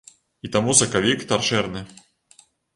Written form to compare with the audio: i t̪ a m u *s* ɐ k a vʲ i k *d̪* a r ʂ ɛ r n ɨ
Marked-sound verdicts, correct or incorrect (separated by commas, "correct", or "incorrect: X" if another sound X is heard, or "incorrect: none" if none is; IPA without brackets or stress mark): correct, incorrect: t̪